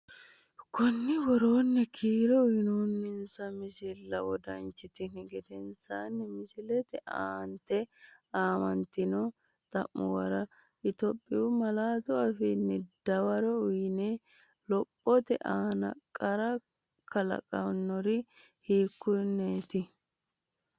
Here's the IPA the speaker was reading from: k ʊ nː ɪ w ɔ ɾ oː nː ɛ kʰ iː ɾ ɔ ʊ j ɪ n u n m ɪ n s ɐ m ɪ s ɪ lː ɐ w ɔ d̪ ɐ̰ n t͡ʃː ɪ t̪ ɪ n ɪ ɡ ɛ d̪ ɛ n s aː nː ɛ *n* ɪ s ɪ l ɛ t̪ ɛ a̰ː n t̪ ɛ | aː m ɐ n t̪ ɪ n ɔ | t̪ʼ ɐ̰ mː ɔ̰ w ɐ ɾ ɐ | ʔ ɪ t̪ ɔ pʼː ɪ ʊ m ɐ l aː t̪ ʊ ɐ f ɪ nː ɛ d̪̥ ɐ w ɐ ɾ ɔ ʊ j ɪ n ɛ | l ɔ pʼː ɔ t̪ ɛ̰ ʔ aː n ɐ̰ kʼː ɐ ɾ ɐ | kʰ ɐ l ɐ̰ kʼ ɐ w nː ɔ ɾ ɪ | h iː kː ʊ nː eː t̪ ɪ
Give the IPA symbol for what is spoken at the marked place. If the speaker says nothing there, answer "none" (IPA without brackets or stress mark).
m